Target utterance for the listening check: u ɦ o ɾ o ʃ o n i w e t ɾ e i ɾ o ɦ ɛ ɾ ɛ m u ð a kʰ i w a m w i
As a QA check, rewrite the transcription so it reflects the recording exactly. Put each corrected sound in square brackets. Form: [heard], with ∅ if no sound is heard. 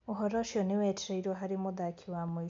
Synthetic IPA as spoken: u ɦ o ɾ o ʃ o n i w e t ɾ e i ɾ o ɦ [a] ɾ [i] m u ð a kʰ i w a m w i